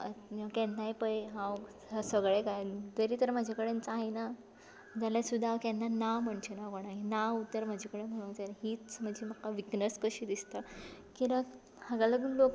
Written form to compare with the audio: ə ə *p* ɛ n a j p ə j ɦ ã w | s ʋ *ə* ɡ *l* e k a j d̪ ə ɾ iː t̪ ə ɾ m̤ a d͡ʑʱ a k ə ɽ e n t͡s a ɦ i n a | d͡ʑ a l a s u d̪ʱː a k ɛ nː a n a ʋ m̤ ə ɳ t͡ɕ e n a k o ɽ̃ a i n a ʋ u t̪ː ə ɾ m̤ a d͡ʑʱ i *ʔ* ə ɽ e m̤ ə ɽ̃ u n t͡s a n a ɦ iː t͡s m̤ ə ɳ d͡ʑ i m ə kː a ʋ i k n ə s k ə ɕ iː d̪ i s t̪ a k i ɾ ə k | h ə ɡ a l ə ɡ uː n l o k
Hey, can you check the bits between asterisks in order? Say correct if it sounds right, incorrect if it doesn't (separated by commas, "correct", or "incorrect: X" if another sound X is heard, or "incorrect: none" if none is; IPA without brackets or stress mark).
incorrect: k, correct, incorrect: ɭ, incorrect: k